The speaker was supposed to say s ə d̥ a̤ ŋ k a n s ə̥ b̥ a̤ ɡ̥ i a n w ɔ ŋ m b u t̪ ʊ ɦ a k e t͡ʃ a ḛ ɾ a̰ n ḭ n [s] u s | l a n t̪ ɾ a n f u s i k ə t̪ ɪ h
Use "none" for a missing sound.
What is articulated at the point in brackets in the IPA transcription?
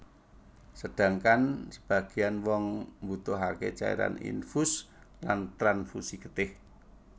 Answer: f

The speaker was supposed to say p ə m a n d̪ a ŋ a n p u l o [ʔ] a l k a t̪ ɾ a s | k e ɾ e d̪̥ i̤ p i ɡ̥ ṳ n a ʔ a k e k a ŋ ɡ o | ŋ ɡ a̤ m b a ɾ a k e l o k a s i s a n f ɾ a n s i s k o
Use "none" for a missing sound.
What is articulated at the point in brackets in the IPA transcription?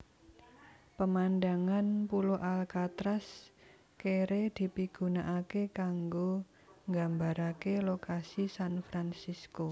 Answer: ʔ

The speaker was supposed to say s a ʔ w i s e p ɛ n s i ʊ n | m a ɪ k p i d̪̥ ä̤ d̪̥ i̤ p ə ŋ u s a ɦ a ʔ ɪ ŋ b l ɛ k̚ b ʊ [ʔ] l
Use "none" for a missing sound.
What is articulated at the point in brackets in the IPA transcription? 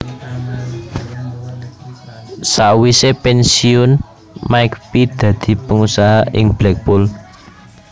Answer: none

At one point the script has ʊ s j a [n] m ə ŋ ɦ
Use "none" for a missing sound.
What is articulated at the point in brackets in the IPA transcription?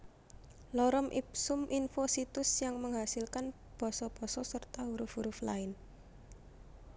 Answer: ŋ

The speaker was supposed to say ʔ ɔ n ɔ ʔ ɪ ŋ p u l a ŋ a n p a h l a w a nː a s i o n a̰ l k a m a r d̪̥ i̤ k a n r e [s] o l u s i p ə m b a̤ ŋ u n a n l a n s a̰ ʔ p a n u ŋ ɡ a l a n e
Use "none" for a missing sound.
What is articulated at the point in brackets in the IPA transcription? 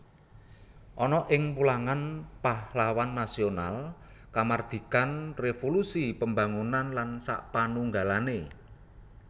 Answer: f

